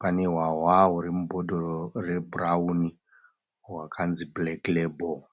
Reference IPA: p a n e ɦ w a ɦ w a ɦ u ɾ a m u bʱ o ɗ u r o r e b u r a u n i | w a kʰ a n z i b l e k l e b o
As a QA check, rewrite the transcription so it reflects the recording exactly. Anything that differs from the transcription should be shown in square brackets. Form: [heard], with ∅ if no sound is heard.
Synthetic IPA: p a n e ɦ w a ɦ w a ɦ u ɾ [i] m u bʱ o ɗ [o] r o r e b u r a u n i | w a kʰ a n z i b l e k l e b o